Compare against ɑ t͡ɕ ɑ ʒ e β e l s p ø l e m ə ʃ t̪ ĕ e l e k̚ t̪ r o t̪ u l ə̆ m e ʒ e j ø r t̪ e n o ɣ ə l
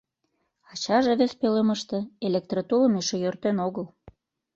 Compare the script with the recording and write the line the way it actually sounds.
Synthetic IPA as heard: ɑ t͡ɕ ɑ ʒ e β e s p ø l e m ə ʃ t̪ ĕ e l e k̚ t̪ r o t̪ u l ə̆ m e ʃ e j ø r t̪ e n o ɣ ə l